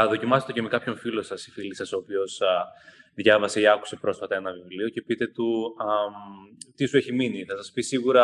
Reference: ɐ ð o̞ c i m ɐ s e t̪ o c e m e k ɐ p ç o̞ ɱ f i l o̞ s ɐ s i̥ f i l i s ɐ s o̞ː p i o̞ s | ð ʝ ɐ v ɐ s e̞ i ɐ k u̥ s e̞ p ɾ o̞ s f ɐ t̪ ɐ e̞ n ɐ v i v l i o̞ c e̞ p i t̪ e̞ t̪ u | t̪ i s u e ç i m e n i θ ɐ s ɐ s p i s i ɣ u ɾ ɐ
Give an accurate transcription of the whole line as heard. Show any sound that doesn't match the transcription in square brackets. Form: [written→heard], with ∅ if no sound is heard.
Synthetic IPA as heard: ɐ ð o̞ c i m ɐ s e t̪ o c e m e k ɐ p ç o̞ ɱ f i l o̞ s ɐ s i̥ f i l i s ɐ s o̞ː p i o̞ s | ð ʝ ɐ v ɐ s e̞ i ɐ k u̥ s e̞ p ɾ o̞ s f ɐ t̪ ɐ e̞ n ɐ v i v l i o̞ c e̞ p i t̪ e̞ t̪ u | t̪ i s u e ç i m [e→i] n i θ ɐ s ɐ s p i s i ɣ u ɾ ɐ